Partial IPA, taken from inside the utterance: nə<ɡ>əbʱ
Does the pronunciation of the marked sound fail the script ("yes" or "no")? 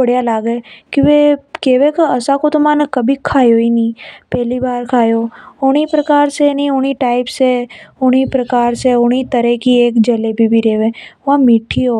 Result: yes